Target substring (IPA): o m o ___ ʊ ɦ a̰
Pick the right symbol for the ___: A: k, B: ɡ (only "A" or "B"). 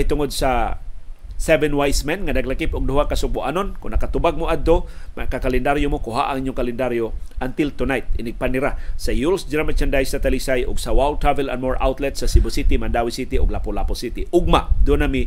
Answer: A